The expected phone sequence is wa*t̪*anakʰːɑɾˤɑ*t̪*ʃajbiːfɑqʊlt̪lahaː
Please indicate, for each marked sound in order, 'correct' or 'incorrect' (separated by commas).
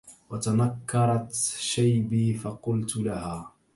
correct, correct